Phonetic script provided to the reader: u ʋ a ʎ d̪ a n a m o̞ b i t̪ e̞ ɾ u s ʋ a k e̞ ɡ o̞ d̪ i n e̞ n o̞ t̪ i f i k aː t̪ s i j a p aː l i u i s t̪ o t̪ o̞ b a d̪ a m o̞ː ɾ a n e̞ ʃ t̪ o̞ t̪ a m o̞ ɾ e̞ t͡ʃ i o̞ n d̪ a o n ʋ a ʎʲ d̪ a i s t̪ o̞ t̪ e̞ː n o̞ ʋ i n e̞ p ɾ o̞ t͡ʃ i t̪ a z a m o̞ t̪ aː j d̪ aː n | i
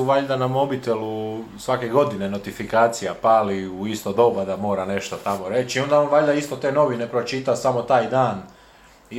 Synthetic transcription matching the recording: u ʋ a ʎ d̪ a n a m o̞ b i t̪ e̞ l u s ʋ a k e̞ ɡ o̞ d̪ i n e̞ n o̞ t̪ i f i k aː t̪ s i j a p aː l i u i s t̪ o d̪ o̞ b a d̪ a m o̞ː ɾ a n e̞ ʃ t̪ o̞ t̪ a m o̞ ɾ e̞ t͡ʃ i o̞ n d̪ a o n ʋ a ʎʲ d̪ a i s t̪ o̞ t̪ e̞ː n o̞ ʋ i n e̞ p ɾ o̞ t͡ʃ i t̪ a s a m o̞ t̪ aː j d̪ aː n | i